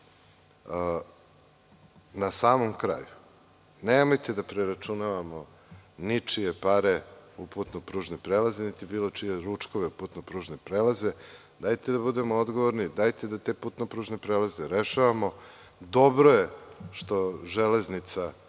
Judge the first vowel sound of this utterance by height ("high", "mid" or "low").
low